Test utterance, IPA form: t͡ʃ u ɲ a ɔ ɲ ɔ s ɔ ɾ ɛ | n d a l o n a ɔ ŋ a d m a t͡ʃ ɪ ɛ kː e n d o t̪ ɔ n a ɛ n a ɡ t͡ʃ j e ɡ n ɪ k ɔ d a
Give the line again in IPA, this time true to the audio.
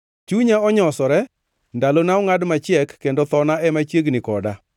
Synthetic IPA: t͡ʃ u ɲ a ɔ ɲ ɔ s ɔ ɾ ɛ | n d a l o n a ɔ ŋ a d m a t͡ʃ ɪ ɛ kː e n d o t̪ ɔ n a ɛ m a t͡ʃ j e ɡ n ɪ k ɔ d a